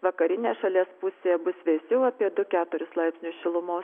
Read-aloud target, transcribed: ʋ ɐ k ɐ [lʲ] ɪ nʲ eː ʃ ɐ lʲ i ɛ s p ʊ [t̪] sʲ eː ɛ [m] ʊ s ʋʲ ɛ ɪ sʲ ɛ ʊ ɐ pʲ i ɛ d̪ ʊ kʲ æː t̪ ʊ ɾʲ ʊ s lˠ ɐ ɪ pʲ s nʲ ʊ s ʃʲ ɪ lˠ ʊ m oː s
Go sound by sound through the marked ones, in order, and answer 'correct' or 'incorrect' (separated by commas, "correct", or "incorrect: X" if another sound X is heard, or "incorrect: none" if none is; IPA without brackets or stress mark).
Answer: incorrect: ɾʲ, incorrect: none, incorrect: b